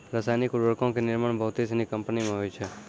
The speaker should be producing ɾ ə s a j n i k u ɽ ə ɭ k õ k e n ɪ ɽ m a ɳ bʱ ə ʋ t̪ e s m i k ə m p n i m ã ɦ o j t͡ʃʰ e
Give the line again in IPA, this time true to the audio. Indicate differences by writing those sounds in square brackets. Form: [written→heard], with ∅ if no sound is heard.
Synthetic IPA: ɾ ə s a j n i k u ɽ ə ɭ k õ k e n ɪ [ɽ→ɾ] m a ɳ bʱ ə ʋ t̪ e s [m→n] i k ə m p n i m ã ɦ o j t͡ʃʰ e